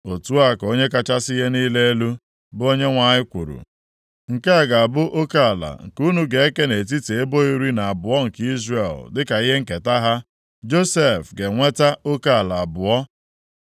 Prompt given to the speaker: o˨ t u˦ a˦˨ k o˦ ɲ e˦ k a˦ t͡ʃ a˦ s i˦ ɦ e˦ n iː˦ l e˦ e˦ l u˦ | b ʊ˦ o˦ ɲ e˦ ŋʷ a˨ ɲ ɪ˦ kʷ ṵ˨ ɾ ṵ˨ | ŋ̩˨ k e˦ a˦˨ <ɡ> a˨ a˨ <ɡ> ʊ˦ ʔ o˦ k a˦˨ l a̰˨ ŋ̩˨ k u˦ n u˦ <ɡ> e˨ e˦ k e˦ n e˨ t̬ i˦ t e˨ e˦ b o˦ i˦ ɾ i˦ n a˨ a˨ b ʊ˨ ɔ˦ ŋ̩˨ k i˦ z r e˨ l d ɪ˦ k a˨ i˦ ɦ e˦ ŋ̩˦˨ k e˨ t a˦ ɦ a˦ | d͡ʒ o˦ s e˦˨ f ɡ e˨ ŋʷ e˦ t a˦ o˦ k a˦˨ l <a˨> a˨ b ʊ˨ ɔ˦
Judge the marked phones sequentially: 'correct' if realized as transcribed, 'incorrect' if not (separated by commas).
correct, incorrect, correct, correct